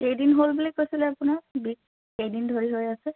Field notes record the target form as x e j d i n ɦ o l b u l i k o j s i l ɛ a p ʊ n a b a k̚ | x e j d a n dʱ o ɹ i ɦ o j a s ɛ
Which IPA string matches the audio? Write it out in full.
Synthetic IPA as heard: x e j d i n ɦ o l b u l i k o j s i l ɛ a p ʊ n a b i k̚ | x e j d i n dʱ o ɹ i ɦ o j a s ɛ